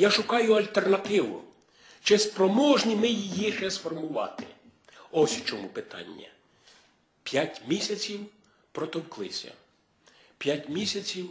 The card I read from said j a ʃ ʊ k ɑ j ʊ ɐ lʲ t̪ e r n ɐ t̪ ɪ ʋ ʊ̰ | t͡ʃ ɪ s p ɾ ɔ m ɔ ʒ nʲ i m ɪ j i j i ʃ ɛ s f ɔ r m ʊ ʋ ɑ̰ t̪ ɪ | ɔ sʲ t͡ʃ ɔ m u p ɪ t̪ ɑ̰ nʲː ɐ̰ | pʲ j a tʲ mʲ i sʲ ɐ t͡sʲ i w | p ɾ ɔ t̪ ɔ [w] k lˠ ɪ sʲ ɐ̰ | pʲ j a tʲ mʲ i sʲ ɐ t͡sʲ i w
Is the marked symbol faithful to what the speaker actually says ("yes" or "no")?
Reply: yes